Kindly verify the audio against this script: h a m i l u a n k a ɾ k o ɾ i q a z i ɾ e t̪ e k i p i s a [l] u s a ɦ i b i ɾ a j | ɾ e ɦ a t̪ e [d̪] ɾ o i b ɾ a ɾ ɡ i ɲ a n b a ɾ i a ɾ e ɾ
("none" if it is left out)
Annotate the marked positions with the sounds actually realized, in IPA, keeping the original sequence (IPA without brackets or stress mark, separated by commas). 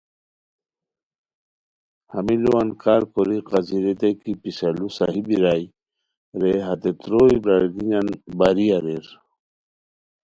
l, t̪